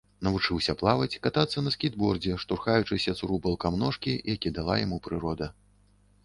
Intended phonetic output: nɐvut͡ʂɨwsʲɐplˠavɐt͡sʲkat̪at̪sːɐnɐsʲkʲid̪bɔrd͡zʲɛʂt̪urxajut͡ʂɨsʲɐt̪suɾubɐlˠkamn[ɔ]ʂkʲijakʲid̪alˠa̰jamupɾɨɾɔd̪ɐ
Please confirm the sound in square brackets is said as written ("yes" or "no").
yes